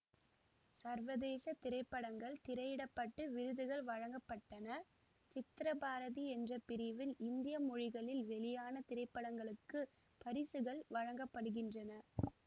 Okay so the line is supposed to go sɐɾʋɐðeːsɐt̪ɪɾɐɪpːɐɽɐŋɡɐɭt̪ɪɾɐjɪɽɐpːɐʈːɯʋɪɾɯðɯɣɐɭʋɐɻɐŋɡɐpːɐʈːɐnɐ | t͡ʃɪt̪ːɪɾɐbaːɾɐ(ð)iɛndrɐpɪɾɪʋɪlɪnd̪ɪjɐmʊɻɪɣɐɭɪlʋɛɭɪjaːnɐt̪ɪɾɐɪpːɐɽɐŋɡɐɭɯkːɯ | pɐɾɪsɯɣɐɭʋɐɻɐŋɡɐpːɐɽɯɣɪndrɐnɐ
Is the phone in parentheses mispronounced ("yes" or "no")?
no